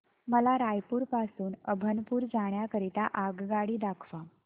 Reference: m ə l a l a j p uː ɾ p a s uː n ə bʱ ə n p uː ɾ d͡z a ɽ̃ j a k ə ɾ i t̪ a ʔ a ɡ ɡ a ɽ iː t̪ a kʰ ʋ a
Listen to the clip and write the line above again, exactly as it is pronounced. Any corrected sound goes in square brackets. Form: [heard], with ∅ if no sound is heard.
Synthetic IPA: m ə l a [ɾ] a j p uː ɾ p a s uː n ə bʱ ə n p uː ɾ d͡z a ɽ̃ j a k ə ɾ i t̪ a ʔ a ɡ ɡ a ɽ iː [d̪] a kʰ ʋ a

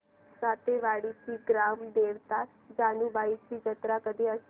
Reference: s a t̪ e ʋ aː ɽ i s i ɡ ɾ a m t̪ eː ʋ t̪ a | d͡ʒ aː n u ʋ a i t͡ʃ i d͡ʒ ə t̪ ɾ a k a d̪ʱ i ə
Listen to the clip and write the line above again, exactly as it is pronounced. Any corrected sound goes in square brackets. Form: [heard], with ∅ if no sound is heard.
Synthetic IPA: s a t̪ e ʋ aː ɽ i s i ɡ ɾ a m [d̪] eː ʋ t̪ a | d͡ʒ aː n u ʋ a i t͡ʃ i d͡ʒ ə t̪ ɾ a k [ə] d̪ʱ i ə

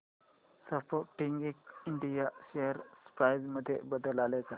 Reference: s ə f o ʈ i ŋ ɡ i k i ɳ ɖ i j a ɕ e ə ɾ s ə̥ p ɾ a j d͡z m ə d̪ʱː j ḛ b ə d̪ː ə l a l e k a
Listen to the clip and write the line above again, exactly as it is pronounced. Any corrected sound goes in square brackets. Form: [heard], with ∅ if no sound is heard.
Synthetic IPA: s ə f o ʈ i ŋ ɡ i k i ɳ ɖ i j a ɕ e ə ɾ s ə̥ p ɾ a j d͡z m ə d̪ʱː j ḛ b ə [d̪] ə l a l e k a

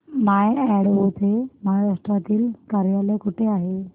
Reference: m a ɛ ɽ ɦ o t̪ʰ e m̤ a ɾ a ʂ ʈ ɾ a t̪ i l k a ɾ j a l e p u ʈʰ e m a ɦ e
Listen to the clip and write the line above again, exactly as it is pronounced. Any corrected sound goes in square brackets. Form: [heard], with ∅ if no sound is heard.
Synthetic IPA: m a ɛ ɽ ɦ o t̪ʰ e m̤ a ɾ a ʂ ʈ ɾ a t̪ [iː] l k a ɾ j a l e [k] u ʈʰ e [∅] a ɦ e

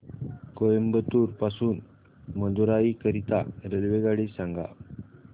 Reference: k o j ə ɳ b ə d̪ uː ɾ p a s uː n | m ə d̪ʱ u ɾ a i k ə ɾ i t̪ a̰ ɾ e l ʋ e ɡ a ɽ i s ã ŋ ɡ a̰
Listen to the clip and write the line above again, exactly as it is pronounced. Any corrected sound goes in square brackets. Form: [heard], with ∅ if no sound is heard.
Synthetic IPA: k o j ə [m] b ə [t̪] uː ɾ p a s uː n | m ə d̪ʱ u ɾ a i k ə ɾ i t̪ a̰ ɾ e l ʋ e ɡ a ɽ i s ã ŋ ɡ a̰

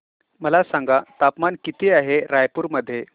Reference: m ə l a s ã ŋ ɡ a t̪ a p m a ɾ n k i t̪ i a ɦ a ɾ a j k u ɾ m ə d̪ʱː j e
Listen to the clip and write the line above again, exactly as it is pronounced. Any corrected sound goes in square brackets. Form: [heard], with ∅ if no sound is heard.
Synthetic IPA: m ə l a s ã ŋ ɡ a t̪ a p m a [∅] n k i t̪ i a ɦ [e] ɾ a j [p] u ɾ m ə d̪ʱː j e

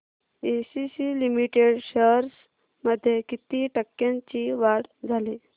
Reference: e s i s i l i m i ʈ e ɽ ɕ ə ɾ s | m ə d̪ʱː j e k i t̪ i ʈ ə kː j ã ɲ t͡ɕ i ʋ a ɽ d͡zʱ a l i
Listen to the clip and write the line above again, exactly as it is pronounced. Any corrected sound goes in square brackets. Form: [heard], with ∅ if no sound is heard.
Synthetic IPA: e s i s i l i m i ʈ e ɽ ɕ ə ɾ s | m ə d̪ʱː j e k i t̪ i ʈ ə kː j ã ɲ t͡ɕ i ʋ a ɽ d͡zʱ a l i

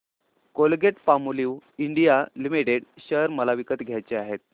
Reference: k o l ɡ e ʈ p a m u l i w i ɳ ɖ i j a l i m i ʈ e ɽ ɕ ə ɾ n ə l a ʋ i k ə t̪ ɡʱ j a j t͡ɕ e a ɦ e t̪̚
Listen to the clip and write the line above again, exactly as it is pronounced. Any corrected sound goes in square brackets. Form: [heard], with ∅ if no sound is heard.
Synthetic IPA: k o l ɡ e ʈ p a m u l i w i ɳ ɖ i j a l i m i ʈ e ɽ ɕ ə ɾ [m] ə l a ʋ i k ə t̪ ɡʱ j a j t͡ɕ e a ɦ e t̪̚

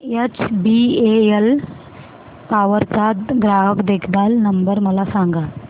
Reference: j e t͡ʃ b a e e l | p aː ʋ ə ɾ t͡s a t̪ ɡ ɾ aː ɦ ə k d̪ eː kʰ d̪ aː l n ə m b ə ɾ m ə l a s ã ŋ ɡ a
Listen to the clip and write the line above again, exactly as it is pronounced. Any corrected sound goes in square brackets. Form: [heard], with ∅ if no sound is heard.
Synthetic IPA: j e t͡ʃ b [i] e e l | p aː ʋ ə ɾ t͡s a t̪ ɡ ɾ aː ɦ ə k d̪ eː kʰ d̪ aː l n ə m b ə ɾ m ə l a s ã ŋ ɡ a

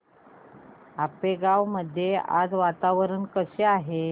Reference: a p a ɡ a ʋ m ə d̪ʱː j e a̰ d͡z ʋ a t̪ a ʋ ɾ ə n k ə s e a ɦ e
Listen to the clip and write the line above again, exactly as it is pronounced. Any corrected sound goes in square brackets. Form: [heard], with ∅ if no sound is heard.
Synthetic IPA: a p [e] ɡ a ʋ m ə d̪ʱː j e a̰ d͡z ʋ a t̪ a ʋ ɾ ə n k ə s e a ɦ e

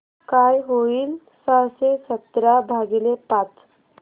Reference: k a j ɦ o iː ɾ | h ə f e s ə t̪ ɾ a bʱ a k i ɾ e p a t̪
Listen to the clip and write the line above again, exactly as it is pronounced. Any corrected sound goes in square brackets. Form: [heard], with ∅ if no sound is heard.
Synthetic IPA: k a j ɦ o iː [l] | [s] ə [s] e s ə t̪ ɾ a bʱ a [ɡ] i [l] e p a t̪

